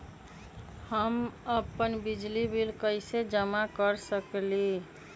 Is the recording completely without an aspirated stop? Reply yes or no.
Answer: yes